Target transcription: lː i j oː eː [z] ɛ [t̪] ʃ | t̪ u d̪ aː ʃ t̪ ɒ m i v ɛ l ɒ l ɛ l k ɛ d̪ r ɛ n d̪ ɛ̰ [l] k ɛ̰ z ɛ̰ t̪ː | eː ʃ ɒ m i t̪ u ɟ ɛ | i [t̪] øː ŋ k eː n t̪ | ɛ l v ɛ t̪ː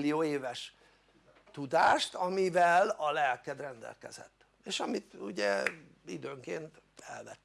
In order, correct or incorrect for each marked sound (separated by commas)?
incorrect, incorrect, correct, incorrect